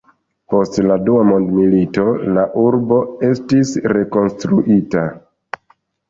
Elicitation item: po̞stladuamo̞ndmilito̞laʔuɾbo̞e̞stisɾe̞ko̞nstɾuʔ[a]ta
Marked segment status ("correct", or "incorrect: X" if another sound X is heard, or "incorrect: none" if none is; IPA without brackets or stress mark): incorrect: i